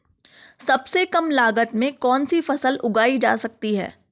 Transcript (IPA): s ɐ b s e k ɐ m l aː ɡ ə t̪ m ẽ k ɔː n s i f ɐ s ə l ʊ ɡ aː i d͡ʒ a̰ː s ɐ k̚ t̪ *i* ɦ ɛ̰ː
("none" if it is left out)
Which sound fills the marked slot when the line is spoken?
i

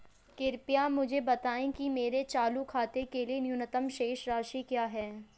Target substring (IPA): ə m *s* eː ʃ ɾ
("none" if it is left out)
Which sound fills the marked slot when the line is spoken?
ʃ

